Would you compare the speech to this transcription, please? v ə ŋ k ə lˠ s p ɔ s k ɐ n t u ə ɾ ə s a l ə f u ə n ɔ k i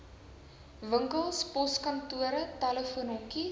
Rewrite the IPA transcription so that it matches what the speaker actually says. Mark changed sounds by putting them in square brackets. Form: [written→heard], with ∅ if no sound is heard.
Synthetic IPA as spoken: v ə ŋ k ə lˠ s p ɔ s k ɐ n t u ə ɾ ə [s→t] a l ə f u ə n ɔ k i